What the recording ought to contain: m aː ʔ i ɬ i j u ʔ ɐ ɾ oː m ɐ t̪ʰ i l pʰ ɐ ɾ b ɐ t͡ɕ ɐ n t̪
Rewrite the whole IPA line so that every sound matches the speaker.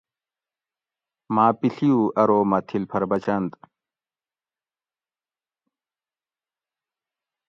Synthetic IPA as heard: m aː p i ɬ i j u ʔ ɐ ɾ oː m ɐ t̪ʰ i l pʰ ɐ ɾ b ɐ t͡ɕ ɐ n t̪